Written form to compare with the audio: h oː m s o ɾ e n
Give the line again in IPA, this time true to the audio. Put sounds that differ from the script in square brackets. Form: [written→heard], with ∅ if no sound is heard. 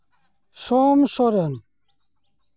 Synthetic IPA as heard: [h→s] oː m s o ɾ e n